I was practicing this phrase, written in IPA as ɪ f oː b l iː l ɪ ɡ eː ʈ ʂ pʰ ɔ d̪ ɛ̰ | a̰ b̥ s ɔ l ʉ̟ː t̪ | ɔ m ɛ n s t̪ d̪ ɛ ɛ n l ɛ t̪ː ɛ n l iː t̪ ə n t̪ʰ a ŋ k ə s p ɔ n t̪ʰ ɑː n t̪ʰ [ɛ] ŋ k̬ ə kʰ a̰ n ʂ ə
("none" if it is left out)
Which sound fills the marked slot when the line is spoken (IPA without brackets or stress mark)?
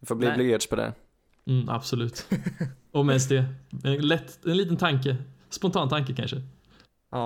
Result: a